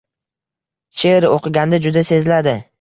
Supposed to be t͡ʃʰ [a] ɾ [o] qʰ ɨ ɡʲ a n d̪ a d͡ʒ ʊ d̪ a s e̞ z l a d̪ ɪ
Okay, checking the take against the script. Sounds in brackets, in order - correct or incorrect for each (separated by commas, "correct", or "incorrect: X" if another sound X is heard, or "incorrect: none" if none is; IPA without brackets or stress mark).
incorrect: e, correct